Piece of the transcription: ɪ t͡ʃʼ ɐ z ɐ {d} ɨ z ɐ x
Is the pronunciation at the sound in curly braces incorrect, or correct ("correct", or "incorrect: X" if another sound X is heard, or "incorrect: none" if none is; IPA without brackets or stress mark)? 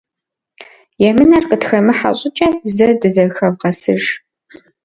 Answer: correct